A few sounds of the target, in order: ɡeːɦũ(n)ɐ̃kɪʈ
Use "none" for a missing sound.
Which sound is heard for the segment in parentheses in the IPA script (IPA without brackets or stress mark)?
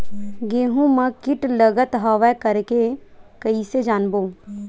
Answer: m